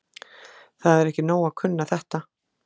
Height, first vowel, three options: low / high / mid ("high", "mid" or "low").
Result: low